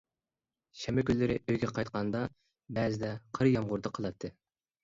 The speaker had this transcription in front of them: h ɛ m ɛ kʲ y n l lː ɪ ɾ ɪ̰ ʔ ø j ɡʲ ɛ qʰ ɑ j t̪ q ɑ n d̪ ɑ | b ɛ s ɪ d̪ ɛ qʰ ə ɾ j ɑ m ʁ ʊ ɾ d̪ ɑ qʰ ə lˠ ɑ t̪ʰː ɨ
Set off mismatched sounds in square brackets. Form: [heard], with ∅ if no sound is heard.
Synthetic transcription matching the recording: [ʃ] ɛ m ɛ kʲ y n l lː ɪ ɾ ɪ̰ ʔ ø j ɡʲ ɛ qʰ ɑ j t̪ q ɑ n d̪ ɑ | b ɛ [z] ɪ d̪ ɛ qʰ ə ɾ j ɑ m ʁ ʊ ɾ d̪ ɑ qʰ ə lˠ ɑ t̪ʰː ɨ